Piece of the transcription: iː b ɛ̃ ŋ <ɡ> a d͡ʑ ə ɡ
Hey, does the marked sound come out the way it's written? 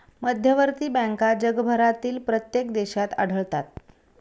no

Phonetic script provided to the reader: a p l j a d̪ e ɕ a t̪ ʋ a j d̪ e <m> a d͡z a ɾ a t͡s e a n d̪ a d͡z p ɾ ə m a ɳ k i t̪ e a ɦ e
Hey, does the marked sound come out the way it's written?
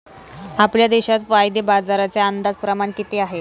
no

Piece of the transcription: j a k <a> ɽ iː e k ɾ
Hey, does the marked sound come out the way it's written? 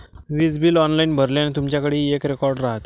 no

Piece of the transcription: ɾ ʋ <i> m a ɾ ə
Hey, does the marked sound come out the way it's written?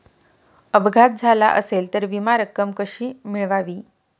yes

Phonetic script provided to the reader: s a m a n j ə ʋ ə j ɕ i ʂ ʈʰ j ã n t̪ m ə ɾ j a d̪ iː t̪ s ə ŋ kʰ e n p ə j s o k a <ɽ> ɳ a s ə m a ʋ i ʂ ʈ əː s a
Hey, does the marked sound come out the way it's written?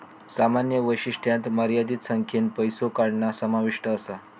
yes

